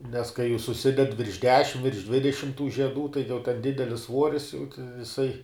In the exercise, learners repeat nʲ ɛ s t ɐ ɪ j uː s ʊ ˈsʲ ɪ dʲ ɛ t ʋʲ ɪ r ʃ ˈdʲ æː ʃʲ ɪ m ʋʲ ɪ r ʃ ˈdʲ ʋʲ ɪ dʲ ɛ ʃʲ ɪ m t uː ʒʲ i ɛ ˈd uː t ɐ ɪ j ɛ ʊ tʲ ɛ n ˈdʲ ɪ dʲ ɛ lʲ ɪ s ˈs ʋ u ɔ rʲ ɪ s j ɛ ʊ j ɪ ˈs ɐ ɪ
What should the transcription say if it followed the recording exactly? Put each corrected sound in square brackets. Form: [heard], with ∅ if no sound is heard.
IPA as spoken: nʲ ɛ s [k] ɐ ɪ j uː s ʊ ˈsʲ ɪ dʲ ɛ t ʋʲ ɪ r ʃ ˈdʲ æː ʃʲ ɪ m ʋʲ ɪ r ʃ ˈdʲ ʋʲ ɪ dʲ ɛ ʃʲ ɪ m t uː ʒʲ i ɛ ˈd uː t ɐ ɪ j ɛ ʊ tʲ ɛ n ˈdʲ ɪ dʲ ɛ lʲ ɪ s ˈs ʋ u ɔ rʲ ɪ s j ɛ ʊ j ɪ ˈs ɐ ɪ

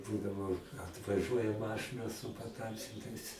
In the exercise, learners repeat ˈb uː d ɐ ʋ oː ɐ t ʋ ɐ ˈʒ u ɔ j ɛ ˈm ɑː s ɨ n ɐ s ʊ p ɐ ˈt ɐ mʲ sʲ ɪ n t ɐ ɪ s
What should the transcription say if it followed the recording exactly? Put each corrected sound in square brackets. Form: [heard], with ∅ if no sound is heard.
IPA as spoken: ˈb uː d ɐ ʋ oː ɐ t ʋ ɐ ˈʒ u ɔ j ɛ ˈm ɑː [ʃ] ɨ n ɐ s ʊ p ɐ ˈt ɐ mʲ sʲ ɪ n t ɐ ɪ s

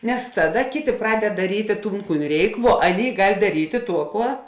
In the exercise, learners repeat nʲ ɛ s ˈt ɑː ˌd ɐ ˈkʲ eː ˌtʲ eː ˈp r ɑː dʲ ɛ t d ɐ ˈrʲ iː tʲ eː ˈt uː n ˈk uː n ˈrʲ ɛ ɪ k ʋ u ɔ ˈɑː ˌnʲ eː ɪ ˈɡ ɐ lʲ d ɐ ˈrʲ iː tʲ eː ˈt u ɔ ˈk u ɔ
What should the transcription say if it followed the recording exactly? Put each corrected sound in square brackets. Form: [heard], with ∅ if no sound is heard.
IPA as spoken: nʲ ɛ s ˈt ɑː ˌd ɐ ˈkʲ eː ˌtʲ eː ˈp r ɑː dʲ ɛ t d ɐ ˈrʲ iː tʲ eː ˈt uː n ˈk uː n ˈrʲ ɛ ɪ k ʋ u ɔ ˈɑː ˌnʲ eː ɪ ˈɡ ɐ lʲ d ɐ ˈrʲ iː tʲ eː ˈt u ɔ ˈk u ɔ

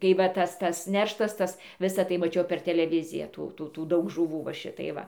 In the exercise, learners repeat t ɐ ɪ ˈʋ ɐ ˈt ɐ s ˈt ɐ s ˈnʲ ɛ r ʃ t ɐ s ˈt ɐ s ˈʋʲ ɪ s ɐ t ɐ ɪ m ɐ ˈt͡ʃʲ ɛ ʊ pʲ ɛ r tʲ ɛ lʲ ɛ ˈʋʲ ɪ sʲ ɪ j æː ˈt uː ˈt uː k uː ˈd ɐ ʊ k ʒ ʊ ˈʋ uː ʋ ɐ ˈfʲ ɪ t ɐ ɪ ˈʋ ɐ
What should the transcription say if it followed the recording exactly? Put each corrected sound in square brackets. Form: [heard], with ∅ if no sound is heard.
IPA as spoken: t ɐ ɪ ˈʋ ɐ ˈt ɐ s ˈt ɐ s ˈnʲ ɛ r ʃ t ɐ s ˈt ɐ s ˈʋʲ ɪ s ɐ t ɐ ɪ m ɐ ˈt͡ʃʲ ɛ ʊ pʲ ɛ r tʲ ɛ lʲ ɛ ˈʋʲ ɪ [zʲ] ɪ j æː ˈt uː ˈt uː [t] uː ˈd ɐ ʊ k ʒ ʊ ˈʋ uː ʋ ɐ [ˈʃʲ] ɪ t ɐ ɪ ˈʋ ɐ

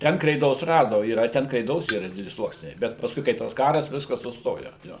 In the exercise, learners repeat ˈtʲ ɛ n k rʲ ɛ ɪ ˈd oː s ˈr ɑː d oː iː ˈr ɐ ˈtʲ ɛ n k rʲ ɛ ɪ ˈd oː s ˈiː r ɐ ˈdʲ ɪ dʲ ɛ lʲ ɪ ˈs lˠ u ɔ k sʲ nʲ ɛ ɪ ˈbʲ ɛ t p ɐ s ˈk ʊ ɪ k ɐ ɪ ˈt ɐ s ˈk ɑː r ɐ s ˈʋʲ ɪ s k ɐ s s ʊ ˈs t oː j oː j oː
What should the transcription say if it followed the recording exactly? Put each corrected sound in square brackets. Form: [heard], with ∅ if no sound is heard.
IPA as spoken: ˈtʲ ɛ n k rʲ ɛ ɪ ˈd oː s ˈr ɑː d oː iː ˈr ɐ ˈtʲ ɛ n k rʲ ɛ ɪ ˈd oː s ˈiː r ɐ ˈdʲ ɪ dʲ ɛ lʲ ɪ ˈs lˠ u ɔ k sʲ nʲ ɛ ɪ ˈbʲ ɛ t p ɐ s ˈk ʊ ɪ k ɐ ɪ ˈt ɐ s ˈk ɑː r ɐ s ˈʋʲ ɪ s k ɐ s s ʊ ˈs t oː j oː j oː

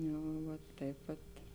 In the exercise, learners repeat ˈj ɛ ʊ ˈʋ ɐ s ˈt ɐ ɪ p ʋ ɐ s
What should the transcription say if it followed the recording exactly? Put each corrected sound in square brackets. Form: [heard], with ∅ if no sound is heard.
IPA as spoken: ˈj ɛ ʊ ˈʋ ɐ [t] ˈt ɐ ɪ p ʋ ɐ [t]

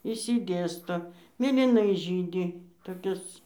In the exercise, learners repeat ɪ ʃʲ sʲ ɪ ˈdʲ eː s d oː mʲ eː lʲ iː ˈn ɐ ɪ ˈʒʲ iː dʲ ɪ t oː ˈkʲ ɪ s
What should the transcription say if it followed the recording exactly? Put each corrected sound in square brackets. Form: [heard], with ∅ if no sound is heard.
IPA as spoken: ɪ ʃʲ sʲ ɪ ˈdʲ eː s [t] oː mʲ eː lʲ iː ˈn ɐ ɪ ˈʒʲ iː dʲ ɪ t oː ˈkʲ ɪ s

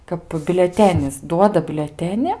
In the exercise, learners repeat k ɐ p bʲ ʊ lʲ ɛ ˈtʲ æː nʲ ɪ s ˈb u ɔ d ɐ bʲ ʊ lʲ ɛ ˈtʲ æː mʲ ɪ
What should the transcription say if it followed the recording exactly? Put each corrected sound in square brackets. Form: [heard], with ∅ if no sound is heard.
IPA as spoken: k ɐ p bʲ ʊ lʲ ɛ ˈtʲ æː nʲ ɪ s [ˈd] u ɔ d ɐ bʲ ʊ lʲ ɛ ˈtʲ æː [nʲ] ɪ

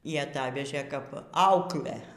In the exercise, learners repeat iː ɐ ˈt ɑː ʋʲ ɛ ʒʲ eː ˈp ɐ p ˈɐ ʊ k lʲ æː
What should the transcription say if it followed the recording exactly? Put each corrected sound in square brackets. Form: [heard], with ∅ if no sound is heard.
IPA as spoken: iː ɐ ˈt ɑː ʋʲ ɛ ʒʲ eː [ˈk] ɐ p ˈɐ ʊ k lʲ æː

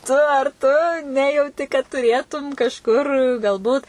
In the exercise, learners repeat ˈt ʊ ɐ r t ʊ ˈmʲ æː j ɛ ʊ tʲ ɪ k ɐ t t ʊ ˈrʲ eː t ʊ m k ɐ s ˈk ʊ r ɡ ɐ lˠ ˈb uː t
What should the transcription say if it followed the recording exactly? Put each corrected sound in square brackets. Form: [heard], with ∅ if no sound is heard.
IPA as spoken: ˈt ʊ ɐ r t ʊ [ˈnʲ] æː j ɛ ʊ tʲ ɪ k ɐ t t ʊ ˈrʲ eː t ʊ m k ɐ [ʃ] ˈk ʊ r ɡ ɐ lˠ ˈb uː t

